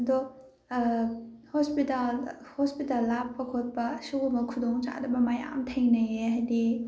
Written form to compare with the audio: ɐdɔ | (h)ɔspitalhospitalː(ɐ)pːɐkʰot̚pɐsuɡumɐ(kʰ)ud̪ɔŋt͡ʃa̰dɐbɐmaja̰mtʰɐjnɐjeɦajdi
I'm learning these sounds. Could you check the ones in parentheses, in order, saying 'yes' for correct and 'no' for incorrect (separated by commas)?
yes, no, yes